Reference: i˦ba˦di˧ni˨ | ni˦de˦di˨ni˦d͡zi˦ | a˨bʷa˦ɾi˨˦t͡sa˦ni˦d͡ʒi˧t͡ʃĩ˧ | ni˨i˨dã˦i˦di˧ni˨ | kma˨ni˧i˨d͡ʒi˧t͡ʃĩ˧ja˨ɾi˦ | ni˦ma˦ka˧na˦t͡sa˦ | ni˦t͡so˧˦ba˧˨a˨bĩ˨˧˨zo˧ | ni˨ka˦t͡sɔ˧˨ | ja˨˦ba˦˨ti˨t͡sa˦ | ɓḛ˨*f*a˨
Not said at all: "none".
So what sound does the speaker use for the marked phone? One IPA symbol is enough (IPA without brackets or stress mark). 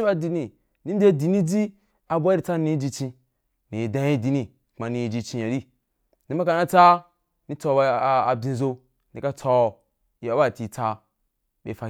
f